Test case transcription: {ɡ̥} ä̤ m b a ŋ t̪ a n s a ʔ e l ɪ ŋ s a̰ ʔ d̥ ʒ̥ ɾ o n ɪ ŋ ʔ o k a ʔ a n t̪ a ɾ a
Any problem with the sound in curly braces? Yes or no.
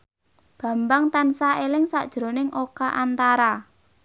yes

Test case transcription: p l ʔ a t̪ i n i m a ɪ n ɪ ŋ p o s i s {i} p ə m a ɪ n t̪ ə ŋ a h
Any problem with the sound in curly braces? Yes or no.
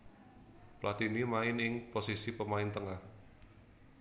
no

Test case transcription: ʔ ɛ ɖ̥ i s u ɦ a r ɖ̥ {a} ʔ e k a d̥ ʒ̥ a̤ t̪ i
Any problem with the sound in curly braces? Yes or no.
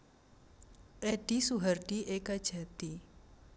yes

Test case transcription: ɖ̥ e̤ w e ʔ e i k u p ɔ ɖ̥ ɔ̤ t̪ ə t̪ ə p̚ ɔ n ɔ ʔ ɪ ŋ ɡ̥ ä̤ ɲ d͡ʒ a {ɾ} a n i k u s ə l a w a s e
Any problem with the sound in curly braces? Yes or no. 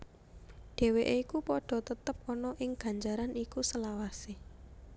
no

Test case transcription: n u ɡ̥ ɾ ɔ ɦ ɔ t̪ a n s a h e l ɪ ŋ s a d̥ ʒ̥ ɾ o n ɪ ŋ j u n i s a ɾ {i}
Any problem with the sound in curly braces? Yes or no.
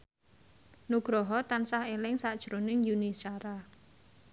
yes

